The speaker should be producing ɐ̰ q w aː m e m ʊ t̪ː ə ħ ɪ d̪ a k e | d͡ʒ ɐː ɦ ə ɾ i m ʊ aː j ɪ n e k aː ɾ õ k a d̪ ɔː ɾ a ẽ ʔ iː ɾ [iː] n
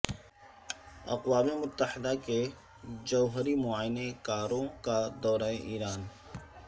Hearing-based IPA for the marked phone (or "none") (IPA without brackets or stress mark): aː